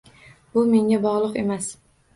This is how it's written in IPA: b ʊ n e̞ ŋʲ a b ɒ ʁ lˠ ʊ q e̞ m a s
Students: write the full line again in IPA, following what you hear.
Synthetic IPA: b ʊ m e̞ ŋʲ a b ɒ ʁ lˠ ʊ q e̞ m a s